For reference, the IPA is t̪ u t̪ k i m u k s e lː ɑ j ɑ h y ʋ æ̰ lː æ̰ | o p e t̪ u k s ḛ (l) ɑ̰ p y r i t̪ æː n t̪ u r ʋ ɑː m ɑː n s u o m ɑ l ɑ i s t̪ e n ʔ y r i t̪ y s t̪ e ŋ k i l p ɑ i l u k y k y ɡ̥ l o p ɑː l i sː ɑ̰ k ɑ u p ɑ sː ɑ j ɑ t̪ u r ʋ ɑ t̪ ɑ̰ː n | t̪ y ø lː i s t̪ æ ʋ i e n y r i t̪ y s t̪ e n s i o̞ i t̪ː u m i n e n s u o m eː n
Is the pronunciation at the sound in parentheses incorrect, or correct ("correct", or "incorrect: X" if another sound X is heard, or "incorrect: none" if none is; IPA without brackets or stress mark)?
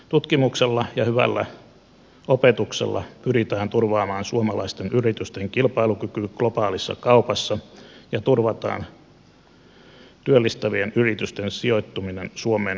incorrect: lː